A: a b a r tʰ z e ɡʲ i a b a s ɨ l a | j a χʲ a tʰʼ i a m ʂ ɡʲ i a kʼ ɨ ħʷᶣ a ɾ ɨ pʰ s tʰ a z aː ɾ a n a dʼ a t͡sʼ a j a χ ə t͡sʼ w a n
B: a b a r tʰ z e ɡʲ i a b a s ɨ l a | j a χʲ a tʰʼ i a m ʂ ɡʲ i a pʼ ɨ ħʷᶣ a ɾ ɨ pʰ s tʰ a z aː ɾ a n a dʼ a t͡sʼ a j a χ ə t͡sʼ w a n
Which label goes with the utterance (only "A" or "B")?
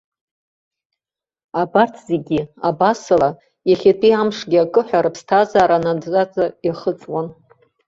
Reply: A